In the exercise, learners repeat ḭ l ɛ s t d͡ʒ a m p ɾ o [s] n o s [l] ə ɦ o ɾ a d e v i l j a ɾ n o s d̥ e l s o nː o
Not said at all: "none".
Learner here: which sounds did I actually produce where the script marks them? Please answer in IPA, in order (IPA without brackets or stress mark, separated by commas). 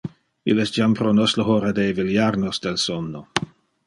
none, l